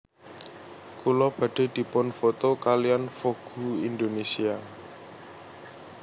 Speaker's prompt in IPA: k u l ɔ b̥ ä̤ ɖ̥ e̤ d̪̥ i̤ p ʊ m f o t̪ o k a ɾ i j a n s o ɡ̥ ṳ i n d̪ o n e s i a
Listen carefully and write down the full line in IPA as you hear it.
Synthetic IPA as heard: k u l ɔ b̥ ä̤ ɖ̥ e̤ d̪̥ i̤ p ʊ n f o t̪ o k a l i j a n f o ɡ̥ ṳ i n d̪ o n e s i a